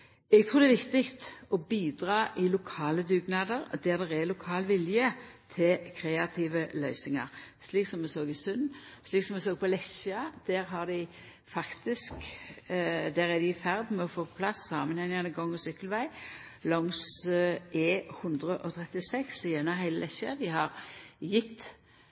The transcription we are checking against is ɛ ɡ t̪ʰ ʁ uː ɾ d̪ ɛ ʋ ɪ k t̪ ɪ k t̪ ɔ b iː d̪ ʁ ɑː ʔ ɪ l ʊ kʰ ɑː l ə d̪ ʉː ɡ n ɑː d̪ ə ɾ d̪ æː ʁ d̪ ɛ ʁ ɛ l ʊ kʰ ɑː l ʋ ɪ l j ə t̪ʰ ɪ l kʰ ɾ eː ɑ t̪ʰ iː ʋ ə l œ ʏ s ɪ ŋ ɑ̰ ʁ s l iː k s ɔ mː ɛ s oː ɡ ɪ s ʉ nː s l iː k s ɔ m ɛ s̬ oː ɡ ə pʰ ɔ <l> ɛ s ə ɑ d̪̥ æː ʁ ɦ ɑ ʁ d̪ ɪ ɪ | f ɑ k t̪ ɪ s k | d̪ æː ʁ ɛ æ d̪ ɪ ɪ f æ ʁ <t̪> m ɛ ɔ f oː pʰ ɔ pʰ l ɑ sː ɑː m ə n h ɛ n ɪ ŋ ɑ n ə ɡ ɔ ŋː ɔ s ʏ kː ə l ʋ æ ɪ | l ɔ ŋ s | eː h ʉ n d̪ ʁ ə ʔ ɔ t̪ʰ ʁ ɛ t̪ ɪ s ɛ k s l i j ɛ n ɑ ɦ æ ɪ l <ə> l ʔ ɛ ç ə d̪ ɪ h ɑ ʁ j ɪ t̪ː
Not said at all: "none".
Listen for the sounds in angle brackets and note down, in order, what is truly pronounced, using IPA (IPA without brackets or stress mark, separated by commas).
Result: l, d̪, ə